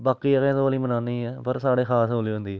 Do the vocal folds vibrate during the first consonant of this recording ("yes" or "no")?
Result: yes